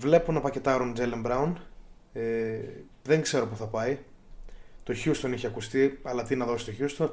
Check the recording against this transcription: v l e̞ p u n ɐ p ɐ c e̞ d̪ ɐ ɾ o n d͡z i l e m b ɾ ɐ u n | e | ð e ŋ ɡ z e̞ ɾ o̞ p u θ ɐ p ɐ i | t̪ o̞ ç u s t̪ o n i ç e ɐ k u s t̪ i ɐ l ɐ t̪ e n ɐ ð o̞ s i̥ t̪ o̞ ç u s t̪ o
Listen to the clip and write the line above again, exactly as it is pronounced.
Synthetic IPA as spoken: v l e̞ p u n ɐ p ɐ c e̞ t̪ ɐ ɾ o n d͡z e l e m b ɾ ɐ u n | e | ð e ŋ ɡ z e̞ ɾ o̞ p u θ ɐ p ɐ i | t̪ o̞ ç u s t̪ o n i ç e ɐ k u s t̪ i ɐ l ɐ t̪ i n ɐ ð o̞ s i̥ t̪ o̞ ç u s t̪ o